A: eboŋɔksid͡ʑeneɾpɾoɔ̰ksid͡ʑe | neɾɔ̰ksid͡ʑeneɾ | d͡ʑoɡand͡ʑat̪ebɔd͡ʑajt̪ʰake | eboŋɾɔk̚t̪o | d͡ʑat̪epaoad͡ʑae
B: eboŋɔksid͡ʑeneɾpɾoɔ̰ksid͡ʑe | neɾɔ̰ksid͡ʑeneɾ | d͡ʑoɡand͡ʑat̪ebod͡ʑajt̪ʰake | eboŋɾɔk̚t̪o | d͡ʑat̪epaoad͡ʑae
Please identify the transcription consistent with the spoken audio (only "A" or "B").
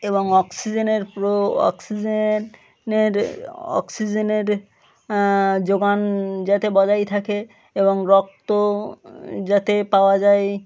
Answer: A